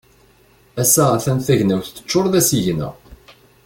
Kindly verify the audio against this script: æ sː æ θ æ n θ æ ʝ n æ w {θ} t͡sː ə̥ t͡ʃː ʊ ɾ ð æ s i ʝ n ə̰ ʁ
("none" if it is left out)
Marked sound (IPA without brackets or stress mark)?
θ